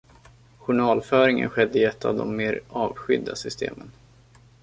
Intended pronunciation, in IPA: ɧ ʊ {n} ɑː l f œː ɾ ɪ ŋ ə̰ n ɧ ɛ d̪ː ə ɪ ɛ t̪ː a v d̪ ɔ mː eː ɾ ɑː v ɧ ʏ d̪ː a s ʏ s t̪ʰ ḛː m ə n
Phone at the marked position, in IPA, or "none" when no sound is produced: ɳ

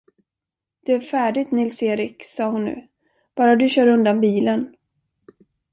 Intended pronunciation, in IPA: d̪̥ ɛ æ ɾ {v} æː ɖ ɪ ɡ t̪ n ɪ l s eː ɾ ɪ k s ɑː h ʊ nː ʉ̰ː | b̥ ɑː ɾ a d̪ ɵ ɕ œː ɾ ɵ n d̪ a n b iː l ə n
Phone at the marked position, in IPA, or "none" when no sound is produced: f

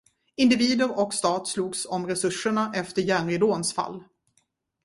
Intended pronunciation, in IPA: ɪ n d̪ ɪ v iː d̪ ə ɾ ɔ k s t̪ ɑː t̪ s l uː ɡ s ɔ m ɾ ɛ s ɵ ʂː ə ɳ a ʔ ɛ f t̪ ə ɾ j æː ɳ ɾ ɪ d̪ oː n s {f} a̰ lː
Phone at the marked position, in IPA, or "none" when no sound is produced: f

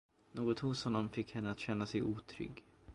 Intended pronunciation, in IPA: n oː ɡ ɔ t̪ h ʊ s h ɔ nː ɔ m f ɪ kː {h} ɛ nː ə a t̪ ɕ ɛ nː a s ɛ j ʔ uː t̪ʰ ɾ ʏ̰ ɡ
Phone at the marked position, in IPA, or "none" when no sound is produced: h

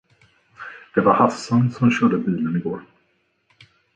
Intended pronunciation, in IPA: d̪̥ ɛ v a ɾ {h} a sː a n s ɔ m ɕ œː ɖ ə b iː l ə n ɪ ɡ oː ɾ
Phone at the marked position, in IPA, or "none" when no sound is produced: h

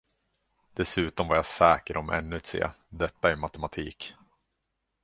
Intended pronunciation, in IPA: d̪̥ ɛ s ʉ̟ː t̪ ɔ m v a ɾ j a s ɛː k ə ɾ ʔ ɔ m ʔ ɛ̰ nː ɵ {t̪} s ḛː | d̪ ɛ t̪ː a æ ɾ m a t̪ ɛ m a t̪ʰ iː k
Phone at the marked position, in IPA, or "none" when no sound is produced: t̪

